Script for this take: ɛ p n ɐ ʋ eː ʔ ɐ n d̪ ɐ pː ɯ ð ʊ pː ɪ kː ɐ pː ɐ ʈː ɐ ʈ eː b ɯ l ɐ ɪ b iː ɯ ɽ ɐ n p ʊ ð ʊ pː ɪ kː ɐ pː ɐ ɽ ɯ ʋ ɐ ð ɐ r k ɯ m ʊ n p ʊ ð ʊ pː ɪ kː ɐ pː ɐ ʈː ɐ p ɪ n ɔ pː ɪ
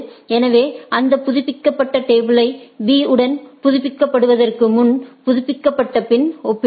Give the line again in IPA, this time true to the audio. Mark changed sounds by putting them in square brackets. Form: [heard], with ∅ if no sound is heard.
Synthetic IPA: ɛ [∅] n ɐ ʋ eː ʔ ɐ n d̪ ɐ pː [ʊ] ð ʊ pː ɪ kː ɐ pː ɐ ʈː ɐ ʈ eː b ɯ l ɐ ɪ b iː ɯ ɽ ɐ n p ʊ ð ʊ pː ɪ kː ɐ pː ɐ ɽ ɯ ʋ ɐ ð ɐ r k ɯ m ʊ n p ʊ ð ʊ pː ɪ kː ɐ pː ɐ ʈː ɐ p ɪ n ɔ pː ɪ

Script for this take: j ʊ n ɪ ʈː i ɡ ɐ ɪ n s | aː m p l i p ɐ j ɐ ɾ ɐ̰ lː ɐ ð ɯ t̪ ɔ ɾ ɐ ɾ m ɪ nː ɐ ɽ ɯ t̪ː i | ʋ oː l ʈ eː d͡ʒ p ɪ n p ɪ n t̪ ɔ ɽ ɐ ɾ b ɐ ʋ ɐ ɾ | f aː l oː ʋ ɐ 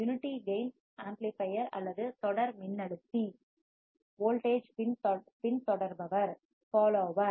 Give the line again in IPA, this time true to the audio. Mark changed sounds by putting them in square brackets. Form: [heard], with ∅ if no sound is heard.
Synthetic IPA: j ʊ n ɪ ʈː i ɡ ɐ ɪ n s | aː m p l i p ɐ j ɐ ɾ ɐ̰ lː ɐ ð ɯ t̪ ɔ [ɽ] ɐ ɾ m ɪ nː ɐ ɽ ɯ t̪ː i | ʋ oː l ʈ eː d͡ʒ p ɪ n p ɪ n t̪ ɔ ɽ ɐ ɾ b ɐ ʋ ɐ ɾ | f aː l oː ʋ ɐ

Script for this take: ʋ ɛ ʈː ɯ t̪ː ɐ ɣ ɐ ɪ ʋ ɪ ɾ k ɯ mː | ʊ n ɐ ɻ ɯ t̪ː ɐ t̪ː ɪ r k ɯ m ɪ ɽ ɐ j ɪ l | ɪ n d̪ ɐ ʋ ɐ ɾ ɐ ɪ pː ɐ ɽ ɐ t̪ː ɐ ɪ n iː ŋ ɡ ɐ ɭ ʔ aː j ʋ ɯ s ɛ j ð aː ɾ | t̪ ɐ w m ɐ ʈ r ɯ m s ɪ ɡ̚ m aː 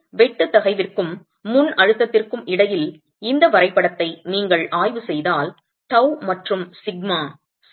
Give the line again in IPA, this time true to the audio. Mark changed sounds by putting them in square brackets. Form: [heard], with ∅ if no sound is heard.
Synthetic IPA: ʋ ɛ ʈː ɯ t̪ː ɐ ɣ ɐ ɪ ʋ ɪ [r] k ɯ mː | ʊ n ɐ ɻ ɯ t̪ː ɐ t̪ː ɪ r k ɯ m ɪ ɽ ɐ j ɪ l | ɪ n d̪ ɐ ʋ ɐ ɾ ɐ ɪ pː ɐ ɽ ɐ t̪ː ɐ ɪ n iː ŋ ɡ ɐ ɭ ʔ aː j ʋ ɯ s ɛ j ð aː [l] | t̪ ɐ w m ɐ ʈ r ɯ m s ɪ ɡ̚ m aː

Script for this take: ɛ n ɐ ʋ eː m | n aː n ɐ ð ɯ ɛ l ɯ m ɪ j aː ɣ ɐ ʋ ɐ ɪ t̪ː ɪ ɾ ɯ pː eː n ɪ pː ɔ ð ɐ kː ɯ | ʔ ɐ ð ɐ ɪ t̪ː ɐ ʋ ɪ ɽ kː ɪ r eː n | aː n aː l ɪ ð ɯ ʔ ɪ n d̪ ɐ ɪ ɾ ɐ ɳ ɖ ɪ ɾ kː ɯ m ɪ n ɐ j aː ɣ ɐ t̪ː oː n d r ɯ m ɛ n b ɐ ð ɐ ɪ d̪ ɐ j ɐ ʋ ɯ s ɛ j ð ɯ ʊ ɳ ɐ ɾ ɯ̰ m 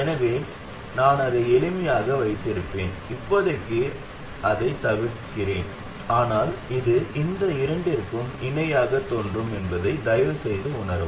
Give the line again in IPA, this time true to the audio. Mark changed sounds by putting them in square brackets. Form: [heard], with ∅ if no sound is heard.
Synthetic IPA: ɛ n ɐ ʋ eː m | n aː n ɐ ð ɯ ɛ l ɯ m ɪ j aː ɣ ɐ ʋ ɐ ɪ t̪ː ɪ ɾ ɯ pː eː n ɪ pː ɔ ð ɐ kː ɯ | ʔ ɐ ð ɐ ɪ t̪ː ɐ ʋ ɪ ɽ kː ɪ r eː n | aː n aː l ɪ ð ɯ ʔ ɪ n d̪ ɐ ɪ ɾ ɐ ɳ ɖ ɪ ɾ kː ɯ m ɪ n ɐ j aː ɣ ɐ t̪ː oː n d r ɯ m ɛ n b ɐ ð ɐ ɪ d̪ ɐ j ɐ ʋ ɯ s ɛ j ð ɯ ʊ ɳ ɐ ɾ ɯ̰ m

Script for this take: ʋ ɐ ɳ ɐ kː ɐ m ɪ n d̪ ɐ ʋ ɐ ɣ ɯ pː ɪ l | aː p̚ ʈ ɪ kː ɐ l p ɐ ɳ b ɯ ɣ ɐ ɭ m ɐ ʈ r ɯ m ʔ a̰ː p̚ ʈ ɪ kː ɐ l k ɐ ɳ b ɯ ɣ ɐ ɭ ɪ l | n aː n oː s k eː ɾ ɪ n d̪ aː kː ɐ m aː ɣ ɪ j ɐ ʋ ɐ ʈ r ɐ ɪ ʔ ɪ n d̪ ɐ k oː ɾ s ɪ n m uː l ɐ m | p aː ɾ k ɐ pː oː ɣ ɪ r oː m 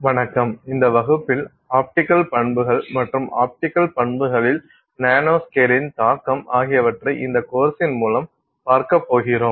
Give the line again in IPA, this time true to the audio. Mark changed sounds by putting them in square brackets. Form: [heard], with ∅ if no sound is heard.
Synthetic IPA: ʋ ɐ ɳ ɐ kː ɐ m ɪ n d̪ ɐ ʋ ɐ ɣ ɯ pː ɪ l | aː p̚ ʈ ɪ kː ɐ l p ɐ ɳ b ɯ ɣ ɐ ɭ m ɐ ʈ r ɯ m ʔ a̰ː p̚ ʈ ɪ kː ɐ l [p] ɐ ɳ b ɯ ɣ ɐ ɭ ɪ l | n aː n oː s k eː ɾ ɪ n [t̪] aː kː ɐ m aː ɣ ɪ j ɐ ʋ ɐ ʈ r ɐ ɪ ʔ ɪ n d̪ ɐ k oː ɾ s ɪ n m uː l ɐ m | p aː ɾ k ɐ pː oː ɣ ɪ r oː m

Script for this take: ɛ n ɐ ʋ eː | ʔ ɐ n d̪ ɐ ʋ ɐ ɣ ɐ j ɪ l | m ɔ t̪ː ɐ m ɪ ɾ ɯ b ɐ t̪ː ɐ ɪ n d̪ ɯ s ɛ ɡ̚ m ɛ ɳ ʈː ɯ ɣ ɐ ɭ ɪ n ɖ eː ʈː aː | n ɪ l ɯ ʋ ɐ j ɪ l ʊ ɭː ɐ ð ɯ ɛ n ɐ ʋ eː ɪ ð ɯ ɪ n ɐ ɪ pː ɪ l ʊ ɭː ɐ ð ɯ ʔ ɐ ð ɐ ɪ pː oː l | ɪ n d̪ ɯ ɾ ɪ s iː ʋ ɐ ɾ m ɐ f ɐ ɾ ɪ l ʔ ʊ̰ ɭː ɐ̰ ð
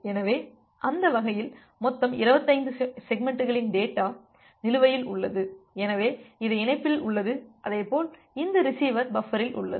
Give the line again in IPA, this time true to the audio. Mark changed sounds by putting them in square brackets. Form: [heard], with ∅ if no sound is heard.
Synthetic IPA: ɛ n ɐ ʋ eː | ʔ ɐ n d̪ ɐ ʋ ɐ ɣ ɐ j ɪ l | m ɔ t̪ː ɐ m ɪ ɾ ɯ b ɐ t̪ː ɐ ɪ n d̪ ɯ s ɛ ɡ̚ m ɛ ɳ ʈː ɯ ɣ ɐ ɭ ɪ n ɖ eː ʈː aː | n ɪ l ɯ ʋ ɐ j ɪ l ʊ ɭː ɐ ð ɯ ɛ n ɐ ʋ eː ɪ ð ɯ ɪ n ɐ ɪ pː ɪ l ʊ ɭː ɐ ð ɯ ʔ ɐ ð ɐ ɪ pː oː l | ɪ n d̪ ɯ ɾ ɪ s iː ʋ ɐ ɾ [b] ɐ f ɐ ɾ ɪ l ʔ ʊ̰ ɭː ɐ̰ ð

